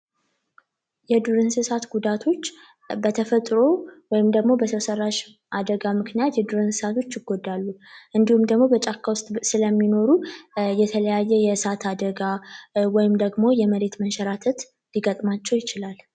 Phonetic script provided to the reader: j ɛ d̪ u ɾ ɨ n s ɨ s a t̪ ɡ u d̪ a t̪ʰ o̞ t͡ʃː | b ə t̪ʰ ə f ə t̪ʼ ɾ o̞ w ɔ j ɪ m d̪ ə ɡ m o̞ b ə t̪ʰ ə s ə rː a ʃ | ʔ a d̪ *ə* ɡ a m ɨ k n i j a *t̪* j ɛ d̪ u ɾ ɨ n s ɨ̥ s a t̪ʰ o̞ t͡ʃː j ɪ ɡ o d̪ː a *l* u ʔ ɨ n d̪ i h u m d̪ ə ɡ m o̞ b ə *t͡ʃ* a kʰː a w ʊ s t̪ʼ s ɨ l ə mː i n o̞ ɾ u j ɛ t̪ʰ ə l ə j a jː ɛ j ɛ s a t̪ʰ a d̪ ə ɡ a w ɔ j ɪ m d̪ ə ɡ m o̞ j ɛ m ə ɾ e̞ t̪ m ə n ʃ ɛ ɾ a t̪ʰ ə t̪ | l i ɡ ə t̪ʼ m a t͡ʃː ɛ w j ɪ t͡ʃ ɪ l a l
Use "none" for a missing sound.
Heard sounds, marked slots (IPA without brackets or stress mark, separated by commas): ə, t̪, lː, t͡ʃʼ